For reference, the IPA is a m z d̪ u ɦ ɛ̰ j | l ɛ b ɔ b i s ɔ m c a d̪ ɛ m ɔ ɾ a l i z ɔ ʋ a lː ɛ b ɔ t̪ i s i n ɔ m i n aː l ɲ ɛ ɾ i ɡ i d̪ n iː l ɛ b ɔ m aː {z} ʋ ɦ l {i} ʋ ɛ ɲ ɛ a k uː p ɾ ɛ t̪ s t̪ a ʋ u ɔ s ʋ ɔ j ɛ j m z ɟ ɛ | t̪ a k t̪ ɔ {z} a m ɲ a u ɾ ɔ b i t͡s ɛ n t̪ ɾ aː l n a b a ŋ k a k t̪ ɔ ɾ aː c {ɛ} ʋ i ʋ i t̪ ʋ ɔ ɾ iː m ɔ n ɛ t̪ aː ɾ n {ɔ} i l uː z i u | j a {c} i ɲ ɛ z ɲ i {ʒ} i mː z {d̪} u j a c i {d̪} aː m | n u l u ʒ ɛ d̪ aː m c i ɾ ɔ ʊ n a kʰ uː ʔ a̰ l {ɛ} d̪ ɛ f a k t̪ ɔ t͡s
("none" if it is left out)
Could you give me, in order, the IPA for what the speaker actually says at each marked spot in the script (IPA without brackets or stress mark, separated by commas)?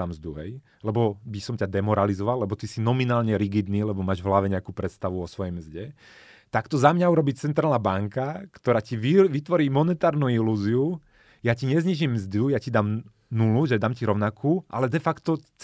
ʒ, a, z, i, u, c, ʒ, d̪, d̪, ɛ